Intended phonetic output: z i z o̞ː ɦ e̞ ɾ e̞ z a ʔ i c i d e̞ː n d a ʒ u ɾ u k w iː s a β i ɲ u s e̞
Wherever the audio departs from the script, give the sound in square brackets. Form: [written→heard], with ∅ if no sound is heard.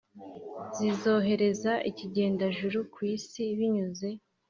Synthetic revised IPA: z i z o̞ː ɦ e̞ ɾ e̞ z a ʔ i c i [d→ɟ] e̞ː n d a ʒ u ɾ u k w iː s [a→i] β i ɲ u [s→z] e̞